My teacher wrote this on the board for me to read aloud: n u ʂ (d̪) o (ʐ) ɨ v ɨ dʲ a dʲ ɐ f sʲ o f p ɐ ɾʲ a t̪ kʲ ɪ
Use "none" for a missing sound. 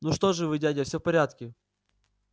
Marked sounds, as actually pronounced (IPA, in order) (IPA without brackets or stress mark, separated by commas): t̪, ʐ